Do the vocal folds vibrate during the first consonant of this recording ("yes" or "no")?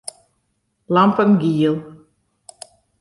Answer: yes